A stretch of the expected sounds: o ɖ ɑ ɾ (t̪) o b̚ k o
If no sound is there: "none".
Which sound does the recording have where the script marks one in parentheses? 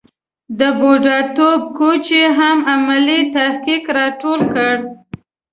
t̪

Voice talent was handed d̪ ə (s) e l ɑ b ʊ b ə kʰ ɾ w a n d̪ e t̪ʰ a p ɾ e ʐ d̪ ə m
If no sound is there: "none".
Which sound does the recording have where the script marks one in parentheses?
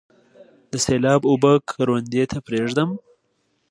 s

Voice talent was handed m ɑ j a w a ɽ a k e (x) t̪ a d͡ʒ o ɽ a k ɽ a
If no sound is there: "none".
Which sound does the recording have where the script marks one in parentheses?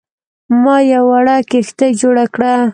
x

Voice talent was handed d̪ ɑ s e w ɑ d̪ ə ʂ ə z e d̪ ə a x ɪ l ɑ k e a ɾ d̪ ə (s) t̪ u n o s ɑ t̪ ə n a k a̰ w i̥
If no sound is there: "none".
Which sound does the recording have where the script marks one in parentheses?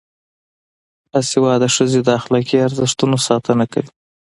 ʂ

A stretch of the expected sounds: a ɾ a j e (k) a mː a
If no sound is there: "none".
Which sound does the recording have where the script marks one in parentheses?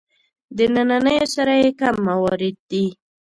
k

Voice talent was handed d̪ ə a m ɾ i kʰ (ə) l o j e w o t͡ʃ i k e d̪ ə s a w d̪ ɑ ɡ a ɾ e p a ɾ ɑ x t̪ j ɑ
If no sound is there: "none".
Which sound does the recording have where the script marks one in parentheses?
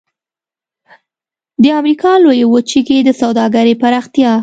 ɑ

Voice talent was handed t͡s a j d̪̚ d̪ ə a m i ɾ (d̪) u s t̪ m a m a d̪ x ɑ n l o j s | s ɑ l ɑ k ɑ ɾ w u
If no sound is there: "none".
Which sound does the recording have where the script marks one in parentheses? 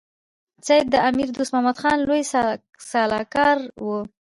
d̪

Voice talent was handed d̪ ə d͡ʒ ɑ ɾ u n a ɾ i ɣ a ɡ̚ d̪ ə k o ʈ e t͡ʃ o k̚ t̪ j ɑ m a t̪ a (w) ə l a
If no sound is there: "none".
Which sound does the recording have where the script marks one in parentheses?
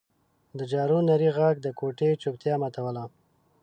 w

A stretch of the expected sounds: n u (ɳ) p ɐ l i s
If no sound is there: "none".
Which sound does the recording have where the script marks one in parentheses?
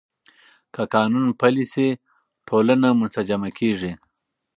n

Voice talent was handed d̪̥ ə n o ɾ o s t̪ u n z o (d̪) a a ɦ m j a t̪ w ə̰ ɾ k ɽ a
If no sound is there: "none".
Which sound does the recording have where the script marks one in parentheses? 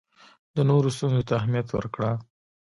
t̪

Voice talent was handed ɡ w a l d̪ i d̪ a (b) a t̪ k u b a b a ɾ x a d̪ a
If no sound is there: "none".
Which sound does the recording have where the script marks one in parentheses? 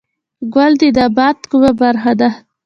b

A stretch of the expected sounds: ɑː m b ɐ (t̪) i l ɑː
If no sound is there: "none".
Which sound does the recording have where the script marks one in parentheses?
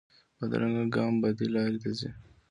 d̪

